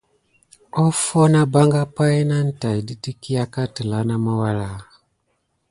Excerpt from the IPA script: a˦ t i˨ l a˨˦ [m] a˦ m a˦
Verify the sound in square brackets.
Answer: incorrect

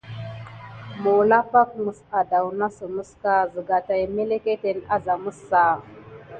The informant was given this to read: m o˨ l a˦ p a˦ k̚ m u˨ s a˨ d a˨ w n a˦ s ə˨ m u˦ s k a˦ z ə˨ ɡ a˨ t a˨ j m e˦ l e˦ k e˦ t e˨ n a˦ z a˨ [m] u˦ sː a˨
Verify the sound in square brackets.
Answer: correct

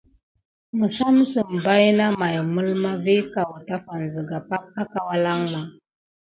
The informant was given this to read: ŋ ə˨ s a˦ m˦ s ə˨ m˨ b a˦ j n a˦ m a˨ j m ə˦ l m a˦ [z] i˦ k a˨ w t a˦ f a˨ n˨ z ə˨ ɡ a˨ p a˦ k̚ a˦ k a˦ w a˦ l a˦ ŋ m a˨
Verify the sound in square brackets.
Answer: incorrect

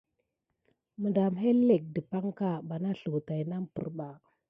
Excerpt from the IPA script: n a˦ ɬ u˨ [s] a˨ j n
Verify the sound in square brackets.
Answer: incorrect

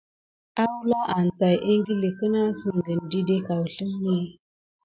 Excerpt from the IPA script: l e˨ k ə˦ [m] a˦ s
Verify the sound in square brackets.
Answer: incorrect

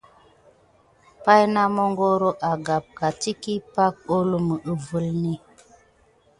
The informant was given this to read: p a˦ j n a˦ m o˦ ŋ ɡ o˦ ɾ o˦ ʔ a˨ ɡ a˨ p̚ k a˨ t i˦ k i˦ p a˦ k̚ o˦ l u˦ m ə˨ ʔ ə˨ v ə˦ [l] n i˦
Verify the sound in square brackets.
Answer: correct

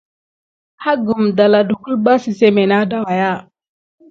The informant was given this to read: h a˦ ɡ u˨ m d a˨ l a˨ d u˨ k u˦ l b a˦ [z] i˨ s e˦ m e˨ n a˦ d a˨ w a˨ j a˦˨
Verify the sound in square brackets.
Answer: incorrect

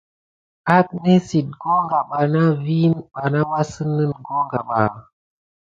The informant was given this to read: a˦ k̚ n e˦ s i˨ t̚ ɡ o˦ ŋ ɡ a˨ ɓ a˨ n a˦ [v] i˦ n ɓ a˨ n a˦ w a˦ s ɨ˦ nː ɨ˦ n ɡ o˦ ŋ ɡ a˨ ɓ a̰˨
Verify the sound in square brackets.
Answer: correct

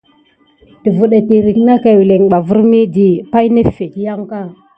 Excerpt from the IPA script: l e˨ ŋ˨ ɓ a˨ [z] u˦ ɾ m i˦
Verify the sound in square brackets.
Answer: incorrect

